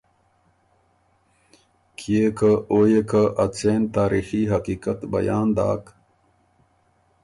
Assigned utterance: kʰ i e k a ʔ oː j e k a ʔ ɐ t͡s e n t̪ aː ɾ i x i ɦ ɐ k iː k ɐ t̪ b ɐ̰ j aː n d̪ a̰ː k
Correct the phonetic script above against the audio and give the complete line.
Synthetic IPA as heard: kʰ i e k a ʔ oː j e k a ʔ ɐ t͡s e n t̪ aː ɾ i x i ɦ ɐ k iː k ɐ t̪ b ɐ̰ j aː n d̪ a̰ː k